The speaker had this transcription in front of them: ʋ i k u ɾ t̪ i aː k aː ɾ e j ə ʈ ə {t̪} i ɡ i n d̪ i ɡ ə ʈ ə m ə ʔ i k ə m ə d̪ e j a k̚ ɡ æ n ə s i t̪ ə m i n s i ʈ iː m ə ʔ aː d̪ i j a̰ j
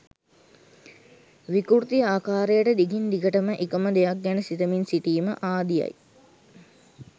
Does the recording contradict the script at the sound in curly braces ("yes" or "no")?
yes